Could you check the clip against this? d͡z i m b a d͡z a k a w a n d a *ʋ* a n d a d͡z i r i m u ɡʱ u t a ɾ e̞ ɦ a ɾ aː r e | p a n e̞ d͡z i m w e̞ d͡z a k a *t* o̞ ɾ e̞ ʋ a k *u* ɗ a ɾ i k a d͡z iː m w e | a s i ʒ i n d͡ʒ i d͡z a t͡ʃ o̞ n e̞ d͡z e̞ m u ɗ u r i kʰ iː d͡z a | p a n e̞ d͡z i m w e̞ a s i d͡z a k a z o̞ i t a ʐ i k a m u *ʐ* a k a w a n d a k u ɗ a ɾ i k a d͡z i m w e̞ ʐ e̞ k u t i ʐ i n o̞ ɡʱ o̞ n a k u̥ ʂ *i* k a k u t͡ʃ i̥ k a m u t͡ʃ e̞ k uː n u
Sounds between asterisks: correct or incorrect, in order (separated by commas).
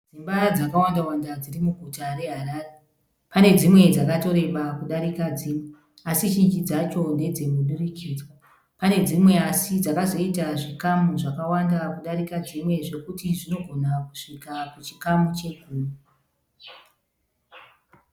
incorrect, correct, correct, correct, correct